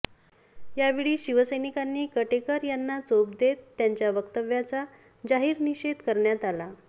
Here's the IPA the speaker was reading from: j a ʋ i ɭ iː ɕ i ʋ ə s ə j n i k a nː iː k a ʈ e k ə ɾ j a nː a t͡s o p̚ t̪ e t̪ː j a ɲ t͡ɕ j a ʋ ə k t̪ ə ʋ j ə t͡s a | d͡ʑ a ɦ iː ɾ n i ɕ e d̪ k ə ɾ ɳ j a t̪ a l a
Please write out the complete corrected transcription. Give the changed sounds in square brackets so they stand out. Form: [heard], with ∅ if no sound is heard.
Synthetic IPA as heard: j a ʋ i ɭ iː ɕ i ʋ ə s ə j n i k a nː iː k [ə] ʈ e k ə ɾ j a nː a t͡s o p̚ [d̪] e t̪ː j a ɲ t͡ɕ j a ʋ ə k t̪ ə ʋ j [a] t͡s a | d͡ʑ a ɦ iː ɾ n i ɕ e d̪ k ə ɾ ɳ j a t̪ a l a